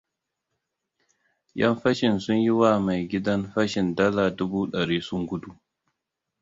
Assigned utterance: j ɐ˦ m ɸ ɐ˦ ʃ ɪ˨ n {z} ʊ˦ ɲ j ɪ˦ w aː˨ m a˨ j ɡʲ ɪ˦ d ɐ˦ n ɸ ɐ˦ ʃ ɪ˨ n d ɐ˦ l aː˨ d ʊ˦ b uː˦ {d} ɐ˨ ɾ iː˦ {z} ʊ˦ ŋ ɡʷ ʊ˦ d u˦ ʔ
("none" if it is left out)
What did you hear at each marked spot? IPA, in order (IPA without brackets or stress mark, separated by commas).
s, ɗ, s